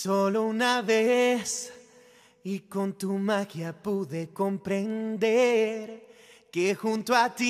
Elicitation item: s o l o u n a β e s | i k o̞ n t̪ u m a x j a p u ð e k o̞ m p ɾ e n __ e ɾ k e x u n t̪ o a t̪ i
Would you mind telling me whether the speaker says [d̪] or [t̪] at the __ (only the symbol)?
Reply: d̪